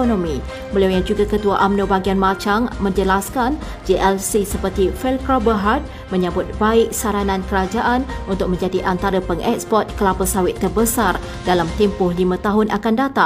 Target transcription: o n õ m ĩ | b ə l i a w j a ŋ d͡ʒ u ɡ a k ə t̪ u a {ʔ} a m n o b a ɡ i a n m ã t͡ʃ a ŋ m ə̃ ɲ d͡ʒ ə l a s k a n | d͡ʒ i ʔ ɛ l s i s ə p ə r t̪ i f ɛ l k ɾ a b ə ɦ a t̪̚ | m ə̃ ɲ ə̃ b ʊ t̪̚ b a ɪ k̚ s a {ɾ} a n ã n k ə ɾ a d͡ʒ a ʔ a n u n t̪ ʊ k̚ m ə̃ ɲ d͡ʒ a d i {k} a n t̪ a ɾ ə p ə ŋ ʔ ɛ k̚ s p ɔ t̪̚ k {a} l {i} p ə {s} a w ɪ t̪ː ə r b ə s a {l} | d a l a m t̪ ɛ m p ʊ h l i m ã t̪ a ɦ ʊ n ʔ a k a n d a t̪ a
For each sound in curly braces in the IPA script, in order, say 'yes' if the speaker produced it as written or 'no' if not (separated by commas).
yes, yes, no, no, no, yes, no